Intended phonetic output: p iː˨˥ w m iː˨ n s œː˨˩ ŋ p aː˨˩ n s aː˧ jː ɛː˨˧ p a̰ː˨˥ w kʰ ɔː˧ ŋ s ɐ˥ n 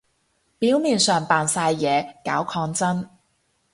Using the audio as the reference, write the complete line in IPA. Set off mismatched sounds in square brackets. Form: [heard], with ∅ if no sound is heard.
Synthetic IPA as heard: p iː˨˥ w m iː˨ n s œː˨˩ ŋ p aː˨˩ n s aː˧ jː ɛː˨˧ [k] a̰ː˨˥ w kʰ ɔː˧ ŋ [t͡s] ɐ˥ n